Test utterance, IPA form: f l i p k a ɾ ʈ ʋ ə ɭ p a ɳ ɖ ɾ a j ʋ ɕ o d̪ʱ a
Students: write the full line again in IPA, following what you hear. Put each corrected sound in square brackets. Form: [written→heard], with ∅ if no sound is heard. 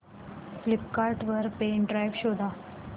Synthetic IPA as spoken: f l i p k a ɾ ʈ ʋ ə [ɭ→ɾ] p [a→e] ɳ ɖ ɾ a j ʋ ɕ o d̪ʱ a